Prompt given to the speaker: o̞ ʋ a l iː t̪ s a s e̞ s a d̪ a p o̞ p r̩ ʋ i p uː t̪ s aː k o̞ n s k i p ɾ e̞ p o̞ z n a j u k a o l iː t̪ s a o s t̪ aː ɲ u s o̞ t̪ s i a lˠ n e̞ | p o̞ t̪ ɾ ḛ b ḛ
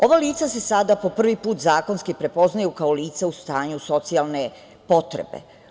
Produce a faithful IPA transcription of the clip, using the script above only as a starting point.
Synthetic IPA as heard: o̞ ʋ a l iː t̪ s a s e̞ s a d̪ a p o̞ p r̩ ʋ i p uː t̪ z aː k o̞ n s k i p ɾ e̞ p o̞ z n a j u k a o l iː t̪ s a u s t̪ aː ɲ u s o̞ t̪ s i a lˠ n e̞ | p o̞ t̪ ɾ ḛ b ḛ